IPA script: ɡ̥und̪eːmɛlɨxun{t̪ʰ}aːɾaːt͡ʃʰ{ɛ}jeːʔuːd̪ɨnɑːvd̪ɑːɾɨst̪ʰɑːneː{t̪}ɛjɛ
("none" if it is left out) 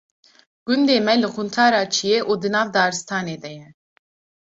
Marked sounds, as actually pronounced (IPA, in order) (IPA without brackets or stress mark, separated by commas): t̪ʰ, i, d̪